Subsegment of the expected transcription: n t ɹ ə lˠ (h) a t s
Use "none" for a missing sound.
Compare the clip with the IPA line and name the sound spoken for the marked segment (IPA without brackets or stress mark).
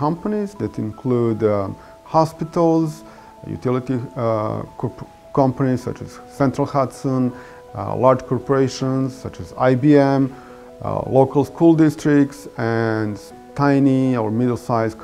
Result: h